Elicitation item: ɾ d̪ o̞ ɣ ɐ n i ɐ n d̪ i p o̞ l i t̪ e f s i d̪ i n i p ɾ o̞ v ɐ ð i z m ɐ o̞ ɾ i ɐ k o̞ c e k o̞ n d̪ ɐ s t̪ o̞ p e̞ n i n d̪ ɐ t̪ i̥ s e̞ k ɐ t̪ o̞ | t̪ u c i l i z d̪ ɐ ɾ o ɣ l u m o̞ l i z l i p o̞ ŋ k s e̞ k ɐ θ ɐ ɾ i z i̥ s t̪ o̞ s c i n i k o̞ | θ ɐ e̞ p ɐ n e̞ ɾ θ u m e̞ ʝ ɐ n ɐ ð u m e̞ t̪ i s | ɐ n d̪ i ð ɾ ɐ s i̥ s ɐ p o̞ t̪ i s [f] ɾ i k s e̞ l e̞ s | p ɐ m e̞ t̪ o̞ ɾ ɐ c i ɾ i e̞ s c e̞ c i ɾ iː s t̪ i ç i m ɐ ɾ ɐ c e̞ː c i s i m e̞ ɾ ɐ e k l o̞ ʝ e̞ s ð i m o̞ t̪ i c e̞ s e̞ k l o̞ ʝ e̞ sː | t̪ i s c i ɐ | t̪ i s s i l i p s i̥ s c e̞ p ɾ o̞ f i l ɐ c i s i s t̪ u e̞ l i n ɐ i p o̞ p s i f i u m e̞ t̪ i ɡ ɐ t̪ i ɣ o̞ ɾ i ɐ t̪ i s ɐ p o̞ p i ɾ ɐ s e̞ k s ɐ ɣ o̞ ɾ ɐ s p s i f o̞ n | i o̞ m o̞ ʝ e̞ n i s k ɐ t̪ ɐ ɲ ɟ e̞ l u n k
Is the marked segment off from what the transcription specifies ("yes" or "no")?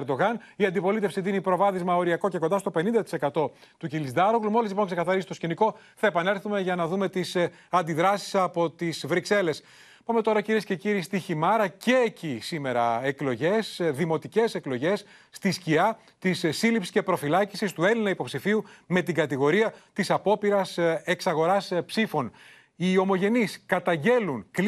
yes